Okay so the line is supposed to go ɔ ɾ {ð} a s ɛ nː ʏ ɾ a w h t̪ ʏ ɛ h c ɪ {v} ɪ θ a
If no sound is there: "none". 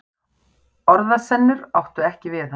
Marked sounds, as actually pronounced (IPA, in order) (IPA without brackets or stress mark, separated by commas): ð, v